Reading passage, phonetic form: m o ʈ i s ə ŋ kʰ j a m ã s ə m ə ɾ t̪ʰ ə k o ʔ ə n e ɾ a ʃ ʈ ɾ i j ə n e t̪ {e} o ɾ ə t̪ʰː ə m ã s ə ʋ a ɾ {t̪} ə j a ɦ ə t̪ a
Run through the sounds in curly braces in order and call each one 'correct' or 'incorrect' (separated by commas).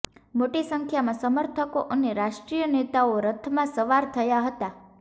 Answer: incorrect, incorrect